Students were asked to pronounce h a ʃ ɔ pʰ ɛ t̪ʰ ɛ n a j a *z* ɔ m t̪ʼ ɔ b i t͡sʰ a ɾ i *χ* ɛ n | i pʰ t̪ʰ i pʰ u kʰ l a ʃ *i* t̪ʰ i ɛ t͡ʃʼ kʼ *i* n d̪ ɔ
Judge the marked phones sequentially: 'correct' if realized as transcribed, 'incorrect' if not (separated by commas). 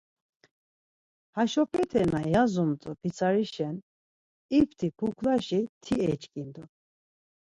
correct, incorrect, correct, correct